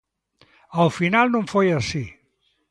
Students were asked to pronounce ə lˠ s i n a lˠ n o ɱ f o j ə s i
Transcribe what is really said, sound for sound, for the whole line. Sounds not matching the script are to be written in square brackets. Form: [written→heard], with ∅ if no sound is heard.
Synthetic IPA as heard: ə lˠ [s→f] i n a lˠ n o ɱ f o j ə s i